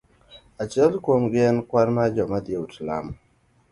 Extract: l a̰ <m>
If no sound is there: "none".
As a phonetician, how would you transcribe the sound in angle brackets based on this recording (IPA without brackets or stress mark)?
m